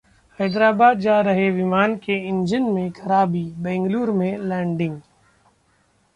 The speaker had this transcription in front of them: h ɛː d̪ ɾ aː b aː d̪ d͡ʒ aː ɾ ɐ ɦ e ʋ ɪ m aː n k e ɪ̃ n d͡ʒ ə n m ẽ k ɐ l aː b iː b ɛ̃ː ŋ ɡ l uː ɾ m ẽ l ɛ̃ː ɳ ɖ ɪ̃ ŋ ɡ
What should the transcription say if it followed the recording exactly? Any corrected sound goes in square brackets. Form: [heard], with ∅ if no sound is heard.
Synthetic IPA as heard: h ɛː d̪ ɾ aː b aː d̪ d͡ʒ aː ɾ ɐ ɦ e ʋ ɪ m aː n k e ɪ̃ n d͡ʒ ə n m ẽ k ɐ [ɾ] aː b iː b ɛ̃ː ŋ ɡ l uː ɾ m ẽ l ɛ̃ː ɳ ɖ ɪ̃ ŋ ɡ